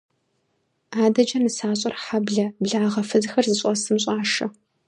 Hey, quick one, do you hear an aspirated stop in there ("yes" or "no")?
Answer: no